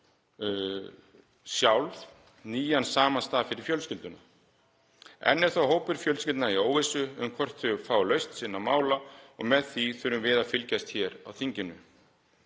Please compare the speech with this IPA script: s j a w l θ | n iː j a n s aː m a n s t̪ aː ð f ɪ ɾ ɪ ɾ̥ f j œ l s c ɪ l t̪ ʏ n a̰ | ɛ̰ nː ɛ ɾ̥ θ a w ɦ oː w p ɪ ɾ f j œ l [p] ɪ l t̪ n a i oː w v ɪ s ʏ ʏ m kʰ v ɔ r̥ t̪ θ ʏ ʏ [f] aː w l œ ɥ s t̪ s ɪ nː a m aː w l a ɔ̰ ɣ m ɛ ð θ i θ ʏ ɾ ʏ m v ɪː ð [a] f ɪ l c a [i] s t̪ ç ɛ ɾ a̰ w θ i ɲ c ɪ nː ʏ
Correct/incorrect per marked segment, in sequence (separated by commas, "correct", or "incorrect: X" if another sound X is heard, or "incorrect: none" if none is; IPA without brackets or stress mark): incorrect: c, correct, correct, incorrect: j